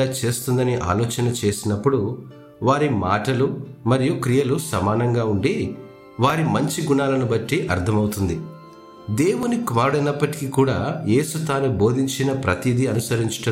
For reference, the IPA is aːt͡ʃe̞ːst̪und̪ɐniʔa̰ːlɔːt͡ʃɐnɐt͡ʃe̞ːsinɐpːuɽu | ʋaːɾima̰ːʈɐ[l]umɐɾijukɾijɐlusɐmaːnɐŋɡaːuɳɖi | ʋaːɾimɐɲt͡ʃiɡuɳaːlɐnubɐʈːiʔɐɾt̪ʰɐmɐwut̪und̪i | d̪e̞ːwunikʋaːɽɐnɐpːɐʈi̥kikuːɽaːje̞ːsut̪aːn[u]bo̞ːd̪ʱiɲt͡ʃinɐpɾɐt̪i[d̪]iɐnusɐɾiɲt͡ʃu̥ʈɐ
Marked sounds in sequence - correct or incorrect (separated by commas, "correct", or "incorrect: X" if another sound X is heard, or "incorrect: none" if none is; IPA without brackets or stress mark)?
correct, correct, correct